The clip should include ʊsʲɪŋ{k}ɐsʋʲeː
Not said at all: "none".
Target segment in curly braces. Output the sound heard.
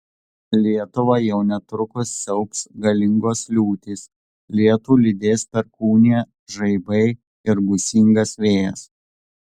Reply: ɡ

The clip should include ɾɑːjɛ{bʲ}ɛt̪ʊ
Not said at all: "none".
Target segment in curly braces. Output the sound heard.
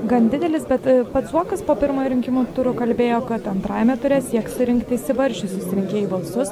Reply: mʲ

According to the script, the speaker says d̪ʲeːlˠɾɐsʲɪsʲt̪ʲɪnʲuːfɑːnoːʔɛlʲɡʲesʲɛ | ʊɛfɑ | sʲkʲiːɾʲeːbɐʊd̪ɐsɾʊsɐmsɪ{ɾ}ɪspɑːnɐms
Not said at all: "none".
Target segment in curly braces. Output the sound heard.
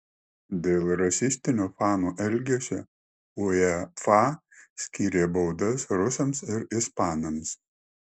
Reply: ɾ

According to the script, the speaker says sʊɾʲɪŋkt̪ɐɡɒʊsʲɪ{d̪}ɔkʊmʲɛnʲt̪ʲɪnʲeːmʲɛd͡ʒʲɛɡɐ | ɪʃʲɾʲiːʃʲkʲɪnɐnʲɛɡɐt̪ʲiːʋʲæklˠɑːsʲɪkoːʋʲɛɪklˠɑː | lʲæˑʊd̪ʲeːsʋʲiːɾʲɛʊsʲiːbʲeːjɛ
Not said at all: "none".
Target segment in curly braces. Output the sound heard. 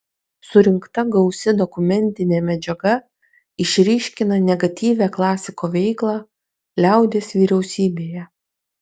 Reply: d̪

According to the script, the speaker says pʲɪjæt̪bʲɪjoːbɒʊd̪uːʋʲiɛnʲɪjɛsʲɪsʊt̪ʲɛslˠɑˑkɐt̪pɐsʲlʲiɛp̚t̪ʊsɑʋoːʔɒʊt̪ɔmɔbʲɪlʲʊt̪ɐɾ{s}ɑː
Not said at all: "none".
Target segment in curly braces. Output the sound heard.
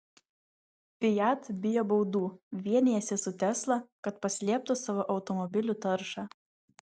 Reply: ʃ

